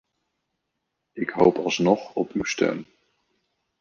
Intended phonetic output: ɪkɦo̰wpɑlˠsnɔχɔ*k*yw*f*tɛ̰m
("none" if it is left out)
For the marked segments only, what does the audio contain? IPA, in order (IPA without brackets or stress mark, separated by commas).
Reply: p, s